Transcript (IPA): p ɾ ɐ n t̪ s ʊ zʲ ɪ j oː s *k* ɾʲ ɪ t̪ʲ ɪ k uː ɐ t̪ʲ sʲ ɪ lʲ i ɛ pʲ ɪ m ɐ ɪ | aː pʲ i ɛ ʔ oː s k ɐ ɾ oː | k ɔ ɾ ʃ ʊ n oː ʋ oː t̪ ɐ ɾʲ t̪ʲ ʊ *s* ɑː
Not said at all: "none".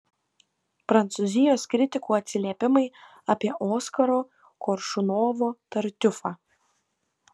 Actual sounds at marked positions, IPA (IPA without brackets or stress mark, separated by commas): k, f